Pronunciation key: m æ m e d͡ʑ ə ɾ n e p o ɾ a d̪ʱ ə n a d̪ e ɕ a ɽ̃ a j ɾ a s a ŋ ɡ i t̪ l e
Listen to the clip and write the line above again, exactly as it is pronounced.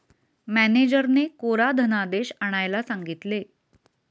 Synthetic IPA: m æ n e d͡ʑ ə ɾ n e k o ɾ a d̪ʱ ə n a d̪ e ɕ a ɽ̃ a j l a s a ŋ ɡ i t̪ l e